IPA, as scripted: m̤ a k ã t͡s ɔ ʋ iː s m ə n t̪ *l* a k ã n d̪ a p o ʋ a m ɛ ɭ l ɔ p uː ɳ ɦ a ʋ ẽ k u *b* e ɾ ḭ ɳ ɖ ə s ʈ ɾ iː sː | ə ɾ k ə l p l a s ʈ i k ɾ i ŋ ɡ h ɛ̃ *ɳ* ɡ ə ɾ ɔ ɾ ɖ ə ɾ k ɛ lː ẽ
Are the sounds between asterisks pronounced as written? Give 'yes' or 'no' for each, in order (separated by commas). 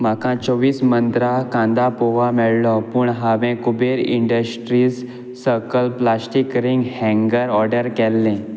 no, yes, no